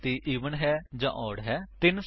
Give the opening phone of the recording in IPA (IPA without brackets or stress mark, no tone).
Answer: t̪